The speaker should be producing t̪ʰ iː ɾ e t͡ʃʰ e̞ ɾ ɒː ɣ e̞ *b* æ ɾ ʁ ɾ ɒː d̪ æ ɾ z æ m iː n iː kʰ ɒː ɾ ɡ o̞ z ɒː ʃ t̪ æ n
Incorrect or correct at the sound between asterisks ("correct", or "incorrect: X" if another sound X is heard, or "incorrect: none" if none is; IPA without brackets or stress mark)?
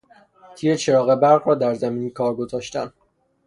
correct